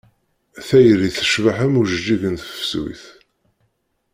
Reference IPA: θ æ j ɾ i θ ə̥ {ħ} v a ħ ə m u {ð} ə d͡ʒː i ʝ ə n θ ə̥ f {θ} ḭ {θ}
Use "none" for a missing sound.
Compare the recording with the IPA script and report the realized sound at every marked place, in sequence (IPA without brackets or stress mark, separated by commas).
ʃ, ʒ, s, θ